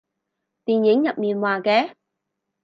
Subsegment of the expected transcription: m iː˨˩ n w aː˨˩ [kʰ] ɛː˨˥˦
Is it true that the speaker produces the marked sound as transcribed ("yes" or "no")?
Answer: no